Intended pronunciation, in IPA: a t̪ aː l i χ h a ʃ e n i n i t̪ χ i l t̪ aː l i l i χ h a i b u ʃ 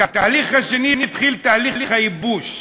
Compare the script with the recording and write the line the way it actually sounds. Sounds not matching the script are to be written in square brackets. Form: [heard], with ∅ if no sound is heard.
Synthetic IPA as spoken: a t̪ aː l i χ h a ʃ e n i n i t̪ χ i l t̪ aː l i l i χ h a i b u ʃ